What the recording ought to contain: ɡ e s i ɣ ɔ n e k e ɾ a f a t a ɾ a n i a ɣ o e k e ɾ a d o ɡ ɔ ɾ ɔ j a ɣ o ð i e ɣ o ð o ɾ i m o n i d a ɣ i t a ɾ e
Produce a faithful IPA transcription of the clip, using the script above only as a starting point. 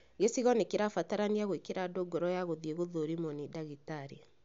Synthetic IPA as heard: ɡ e s i ɣ ɔ n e k e ɾ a f a t a ɾ a n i a ɣ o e k e ɾ a d o ɡ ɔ ɾ ɔ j a ɣ o ð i e ɣ o ð o ɾ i m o n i d a ɣ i t a ɾ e